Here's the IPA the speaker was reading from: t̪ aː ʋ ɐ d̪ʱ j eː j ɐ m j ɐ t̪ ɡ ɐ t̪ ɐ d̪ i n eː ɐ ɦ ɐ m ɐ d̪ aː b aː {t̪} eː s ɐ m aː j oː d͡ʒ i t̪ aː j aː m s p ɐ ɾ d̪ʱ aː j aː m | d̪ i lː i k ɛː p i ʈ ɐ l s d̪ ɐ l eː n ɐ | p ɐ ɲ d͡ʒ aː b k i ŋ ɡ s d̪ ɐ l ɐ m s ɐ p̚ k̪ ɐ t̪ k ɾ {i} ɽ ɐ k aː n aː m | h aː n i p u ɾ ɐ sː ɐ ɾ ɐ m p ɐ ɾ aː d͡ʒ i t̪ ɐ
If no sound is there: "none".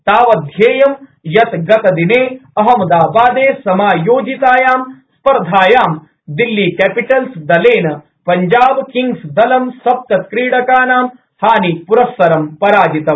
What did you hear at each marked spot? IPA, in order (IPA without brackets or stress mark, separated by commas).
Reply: d̪, iː